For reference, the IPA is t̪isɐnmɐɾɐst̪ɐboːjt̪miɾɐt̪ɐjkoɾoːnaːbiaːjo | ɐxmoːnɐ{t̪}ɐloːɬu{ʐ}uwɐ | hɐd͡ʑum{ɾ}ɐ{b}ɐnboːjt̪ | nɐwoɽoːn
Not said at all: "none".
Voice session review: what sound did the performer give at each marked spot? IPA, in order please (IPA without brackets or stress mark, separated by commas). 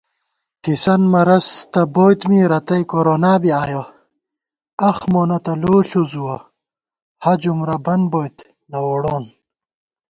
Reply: t̪, z, ɾ, b